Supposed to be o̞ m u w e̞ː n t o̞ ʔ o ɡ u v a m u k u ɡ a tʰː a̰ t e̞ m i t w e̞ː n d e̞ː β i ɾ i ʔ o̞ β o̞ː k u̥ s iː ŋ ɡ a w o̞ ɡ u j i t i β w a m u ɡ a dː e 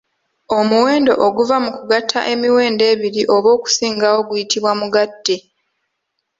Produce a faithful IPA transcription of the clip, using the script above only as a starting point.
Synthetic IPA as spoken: o̞ m u w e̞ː n d o̞ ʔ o ɡ u v a m u k u ɡ a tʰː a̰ ʔ e̞ m i w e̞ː n d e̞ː β i ɾ i ʔ o̞ β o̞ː k u̥ s iː ŋ ɡ a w o̞ ɡ u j i t i β w a m u ɡ a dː e

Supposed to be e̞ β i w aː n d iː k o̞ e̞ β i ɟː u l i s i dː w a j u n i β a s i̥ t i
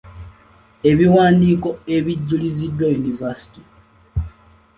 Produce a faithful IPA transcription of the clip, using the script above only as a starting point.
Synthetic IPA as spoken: e̞ β i w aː n d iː k o̞ e̞ β i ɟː u l i z i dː w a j u n i v a s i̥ t i

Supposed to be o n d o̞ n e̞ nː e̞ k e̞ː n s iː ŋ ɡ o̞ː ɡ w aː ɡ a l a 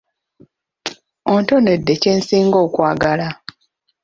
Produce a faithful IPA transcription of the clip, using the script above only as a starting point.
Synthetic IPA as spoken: o n t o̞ n e̞ dː e̞ c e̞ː n s iː ŋ ɡ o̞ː k w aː ɡ a l a

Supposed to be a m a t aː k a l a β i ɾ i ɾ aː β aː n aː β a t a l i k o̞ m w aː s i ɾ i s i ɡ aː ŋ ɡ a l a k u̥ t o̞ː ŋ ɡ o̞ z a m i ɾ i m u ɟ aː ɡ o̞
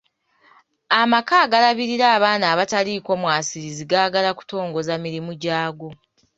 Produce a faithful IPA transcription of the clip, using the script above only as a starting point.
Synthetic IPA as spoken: a m a k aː ɡ a l a β i ɾ i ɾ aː β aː n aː β a t a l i k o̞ m w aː s i ɾ i z i ɡ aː ɡ a l a k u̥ t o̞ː ŋ ɡ o̞ z a m i ɾ i m u ɟ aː ɡ o̞

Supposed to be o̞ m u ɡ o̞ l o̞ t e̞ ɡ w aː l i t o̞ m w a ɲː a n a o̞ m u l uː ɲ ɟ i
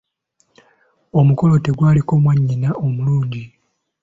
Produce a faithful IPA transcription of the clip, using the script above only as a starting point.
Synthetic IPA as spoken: o̞ m u k o̞ l o̞ t e̞ ɡ w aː l i k o̞ m w a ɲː i n a o̞ m u l uː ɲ ɟ i

